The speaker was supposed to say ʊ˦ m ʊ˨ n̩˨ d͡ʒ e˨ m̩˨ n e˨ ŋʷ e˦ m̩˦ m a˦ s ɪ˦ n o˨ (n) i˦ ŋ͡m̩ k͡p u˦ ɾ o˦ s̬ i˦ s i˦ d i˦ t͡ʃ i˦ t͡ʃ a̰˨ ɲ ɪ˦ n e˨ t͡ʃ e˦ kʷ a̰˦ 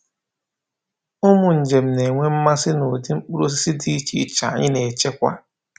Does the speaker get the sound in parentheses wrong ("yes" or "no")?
yes